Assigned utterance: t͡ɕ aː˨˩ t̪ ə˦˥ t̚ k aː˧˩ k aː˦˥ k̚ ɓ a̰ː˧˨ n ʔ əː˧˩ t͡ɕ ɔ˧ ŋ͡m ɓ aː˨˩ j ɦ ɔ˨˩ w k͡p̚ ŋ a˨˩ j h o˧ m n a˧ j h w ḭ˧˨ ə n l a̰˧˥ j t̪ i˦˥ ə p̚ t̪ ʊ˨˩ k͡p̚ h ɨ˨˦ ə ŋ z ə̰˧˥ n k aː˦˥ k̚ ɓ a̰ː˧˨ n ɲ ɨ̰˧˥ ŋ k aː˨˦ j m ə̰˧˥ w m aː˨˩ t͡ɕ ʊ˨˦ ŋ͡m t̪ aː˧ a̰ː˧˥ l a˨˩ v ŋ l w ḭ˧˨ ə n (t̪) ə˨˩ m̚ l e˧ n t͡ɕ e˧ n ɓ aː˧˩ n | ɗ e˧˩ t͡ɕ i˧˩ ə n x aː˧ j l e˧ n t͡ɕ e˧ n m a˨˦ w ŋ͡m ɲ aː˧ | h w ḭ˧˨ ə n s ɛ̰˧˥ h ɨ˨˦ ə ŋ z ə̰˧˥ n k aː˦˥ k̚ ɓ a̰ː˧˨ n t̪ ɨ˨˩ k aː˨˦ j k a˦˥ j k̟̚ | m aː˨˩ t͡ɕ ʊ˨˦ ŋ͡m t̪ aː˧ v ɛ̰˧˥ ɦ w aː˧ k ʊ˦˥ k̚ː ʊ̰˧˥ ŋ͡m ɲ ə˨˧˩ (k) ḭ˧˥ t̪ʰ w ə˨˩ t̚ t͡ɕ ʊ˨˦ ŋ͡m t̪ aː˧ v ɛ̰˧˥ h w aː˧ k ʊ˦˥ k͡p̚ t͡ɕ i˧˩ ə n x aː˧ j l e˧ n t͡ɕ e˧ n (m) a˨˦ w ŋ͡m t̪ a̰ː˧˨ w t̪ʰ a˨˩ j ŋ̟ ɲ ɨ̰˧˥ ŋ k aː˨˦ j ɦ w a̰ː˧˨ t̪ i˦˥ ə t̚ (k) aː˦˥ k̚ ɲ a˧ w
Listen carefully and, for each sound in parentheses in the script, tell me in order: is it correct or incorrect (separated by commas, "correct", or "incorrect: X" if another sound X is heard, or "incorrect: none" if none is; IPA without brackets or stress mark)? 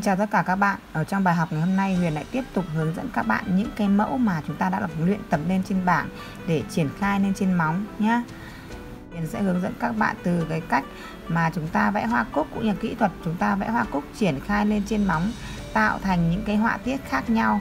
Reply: correct, correct, correct, incorrect: x